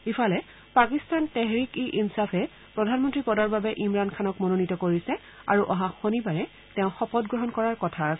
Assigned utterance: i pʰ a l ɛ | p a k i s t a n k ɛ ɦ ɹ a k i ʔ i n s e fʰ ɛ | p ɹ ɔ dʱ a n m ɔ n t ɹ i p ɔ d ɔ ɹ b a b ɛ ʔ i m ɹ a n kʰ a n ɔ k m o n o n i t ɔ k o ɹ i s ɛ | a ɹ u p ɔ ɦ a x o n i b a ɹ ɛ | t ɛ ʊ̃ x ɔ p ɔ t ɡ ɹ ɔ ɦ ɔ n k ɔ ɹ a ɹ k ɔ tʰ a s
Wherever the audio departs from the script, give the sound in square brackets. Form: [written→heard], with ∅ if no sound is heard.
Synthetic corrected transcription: i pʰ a l ɛ | p a k i s t a n [k→t] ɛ ɦ ɹ [a→i] k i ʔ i n s [e→a] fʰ ɛ | p ɹ ɔ dʱ a n m ɔ n t ɹ i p ɔ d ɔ ɹ b a b ɛ ʔ i m ɹ a n kʰ a n ɔ k m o n o n i t ɔ k o ɹ i s ɛ | a ɹ u [p→ʔ] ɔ ɦ a x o n i b a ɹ ɛ | t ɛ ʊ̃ x ɔ p ɔ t ɡ ɹ ɔ ɦ ɔ n k ɔ ɹ a ɹ k ɔ tʰ a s

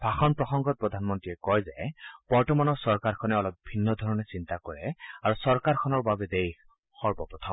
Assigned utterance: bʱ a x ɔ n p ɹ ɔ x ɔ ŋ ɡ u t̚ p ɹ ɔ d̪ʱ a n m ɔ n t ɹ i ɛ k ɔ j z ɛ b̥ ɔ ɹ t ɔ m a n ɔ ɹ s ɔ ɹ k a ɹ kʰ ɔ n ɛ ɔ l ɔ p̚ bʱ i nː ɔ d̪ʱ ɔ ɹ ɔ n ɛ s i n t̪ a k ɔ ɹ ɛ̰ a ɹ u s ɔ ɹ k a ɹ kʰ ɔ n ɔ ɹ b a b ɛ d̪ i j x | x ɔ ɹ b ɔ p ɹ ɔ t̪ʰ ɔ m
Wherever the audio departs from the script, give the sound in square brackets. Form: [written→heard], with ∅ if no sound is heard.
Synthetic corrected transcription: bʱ a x ɔ n p ɹ ɔ x ɔ ŋ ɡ [u→ɔ] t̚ p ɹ ɔ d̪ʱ a n m ɔ n t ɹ i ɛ k ɔ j z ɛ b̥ ɔ ɹ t ɔ m a n ɔ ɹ s ɔ ɹ k a ɹ kʰ ɔ n ɛ ɔ l ɔ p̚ bʱ i nː ɔ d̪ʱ ɔ ɹ ɔ n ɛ s i n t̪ a k ɔ ɹ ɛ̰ a ɹ u s ɔ ɹ k a ɹ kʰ ɔ n ɔ ɹ b a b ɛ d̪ [i→e] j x | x ɔ ɹ b ɔ p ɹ ɔ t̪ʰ ɔ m

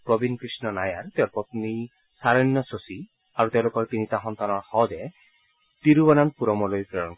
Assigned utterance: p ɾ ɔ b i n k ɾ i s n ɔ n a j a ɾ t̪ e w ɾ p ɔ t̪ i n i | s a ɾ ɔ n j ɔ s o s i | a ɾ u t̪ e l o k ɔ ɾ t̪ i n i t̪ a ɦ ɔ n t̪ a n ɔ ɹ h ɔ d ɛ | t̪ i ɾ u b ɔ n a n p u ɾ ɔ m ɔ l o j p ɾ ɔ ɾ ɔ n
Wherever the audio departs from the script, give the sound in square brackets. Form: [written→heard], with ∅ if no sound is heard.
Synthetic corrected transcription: p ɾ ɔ b i n k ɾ i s n ɔ n a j a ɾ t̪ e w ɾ p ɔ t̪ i n i | s a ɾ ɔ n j ɔ s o s i | a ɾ u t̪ e l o k ɔ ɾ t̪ i n i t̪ a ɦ ɔ n t̪ a n ɔ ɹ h ɔ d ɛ | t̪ i ɾ u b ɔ n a n p u ɾ ɔ m ɔ l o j p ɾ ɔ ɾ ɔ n

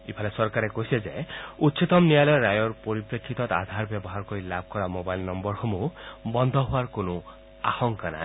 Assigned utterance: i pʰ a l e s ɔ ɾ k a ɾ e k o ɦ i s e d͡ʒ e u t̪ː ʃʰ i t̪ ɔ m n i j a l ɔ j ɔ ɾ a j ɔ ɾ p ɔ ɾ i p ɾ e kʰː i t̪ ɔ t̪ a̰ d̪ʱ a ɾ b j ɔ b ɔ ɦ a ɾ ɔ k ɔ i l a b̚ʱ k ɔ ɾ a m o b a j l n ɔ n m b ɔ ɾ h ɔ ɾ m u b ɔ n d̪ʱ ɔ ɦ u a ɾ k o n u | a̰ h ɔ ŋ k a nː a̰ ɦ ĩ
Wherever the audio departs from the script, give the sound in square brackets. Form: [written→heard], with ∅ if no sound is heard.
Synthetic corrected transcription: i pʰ a l e s ɔ ɾ k a ɾ e k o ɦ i s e d͡ʒ e u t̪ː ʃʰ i t̪ ɔ m n i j a l ɔ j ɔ ɾ a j ɔ ɾ p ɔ ɾ i p ɾ e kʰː i t̪ ɔ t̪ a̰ d̪ʱ a ɾ b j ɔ b ɔ ɦ a ɾ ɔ k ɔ i l a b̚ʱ k ɔ ɾ a m o b a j l n ɔ [n→∅] m b ɔ ɾ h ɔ [ɾ→∅] m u b ɔ n d̪ʱ ɔ ɦ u a ɾ k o n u | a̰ h ɔ ŋ k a [nː→n] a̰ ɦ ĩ

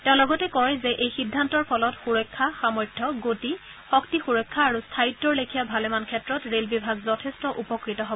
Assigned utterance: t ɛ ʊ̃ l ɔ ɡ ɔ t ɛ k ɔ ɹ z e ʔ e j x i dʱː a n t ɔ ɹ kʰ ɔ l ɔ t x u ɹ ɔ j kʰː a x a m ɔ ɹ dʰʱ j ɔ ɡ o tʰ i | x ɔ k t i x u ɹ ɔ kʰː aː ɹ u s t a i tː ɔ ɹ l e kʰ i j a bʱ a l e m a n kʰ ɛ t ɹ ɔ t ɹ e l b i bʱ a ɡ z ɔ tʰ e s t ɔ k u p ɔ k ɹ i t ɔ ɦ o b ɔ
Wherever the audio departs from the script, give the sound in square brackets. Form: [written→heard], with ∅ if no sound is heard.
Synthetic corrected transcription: t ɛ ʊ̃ l ɔ ɡ ɔ t ɛ k ɔ ɹ z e ʔ e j x i dʱː a n t ɔ ɹ [kʰ→pʰ] ɔ l ɔ t x u ɹ ɔ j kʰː a x a m ɔ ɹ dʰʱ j ɔ ɡ o [tʰ→t] i | x ɔ k t i x u ɹ ɔ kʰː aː ɹ u s [t→tʰ] a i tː ɔ ɹ l e kʰ i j a bʱ a l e m a n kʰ ɛ t ɹ ɔ t ɹ e l b i bʱ a ɡ z ɔ tʰ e s t ɔ [k→ʔ] u p ɔ k ɹ i t ɔ ɦ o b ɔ

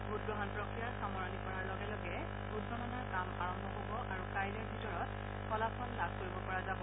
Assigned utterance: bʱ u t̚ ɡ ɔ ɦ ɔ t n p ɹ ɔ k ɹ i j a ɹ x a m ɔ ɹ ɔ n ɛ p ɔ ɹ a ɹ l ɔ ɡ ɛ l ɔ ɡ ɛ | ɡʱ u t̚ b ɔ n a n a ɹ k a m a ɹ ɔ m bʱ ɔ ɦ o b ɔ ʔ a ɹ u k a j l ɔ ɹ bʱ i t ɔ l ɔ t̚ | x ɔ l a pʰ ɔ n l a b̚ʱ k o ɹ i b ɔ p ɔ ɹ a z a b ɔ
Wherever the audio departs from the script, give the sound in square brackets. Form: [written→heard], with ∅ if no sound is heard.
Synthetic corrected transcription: bʱ u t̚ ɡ ɔ ɦ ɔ [t→∅] n p ɹ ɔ k ɹ i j a ɹ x a m ɔ ɹ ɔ n [ɛ→i] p ɔ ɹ a ɹ l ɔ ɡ ɛ l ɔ ɡ ɛ | [ɡʱ→bʱ] u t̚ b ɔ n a n a ɹ k a m a ɹ ɔ m bʱ ɔ ɦ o b ɔ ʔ a ɹ u k a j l ɔ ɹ bʱ i t ɔ [l→ɹ] ɔ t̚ | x ɔ l a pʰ ɔ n l a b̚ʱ k o ɹ i b ɔ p ɔ ɹ a z a b ɔ

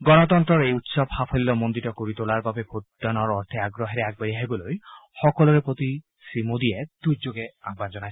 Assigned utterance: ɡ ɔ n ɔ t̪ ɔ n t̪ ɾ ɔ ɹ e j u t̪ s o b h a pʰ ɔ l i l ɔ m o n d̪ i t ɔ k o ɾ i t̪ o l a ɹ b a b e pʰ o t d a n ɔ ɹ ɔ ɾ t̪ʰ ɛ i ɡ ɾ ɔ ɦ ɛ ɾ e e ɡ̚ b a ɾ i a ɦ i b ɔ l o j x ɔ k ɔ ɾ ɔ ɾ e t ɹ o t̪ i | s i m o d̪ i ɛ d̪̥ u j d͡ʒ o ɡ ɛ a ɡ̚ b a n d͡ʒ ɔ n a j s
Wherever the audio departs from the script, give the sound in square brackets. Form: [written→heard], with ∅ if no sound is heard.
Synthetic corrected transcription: ɡ ɔ n ɔ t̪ ɔ n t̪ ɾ ɔ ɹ e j u t̪ s [o→ɔ] b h a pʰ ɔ l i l ɔ m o n d̪ i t ɔ k o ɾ i t̪ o l a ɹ b a b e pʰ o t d a n ɔ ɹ ɔ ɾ t̪ʰ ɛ [i→a] ɡ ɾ ɔ ɦ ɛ ɾ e [e→a] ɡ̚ b a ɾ i a ɦ i b ɔ l o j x ɔ k ɔ [ɾ→l] ɔ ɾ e [t→p] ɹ o t̪ i | s i m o d̪ i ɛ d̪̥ u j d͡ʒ o ɡ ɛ a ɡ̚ b a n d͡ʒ ɔ n a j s

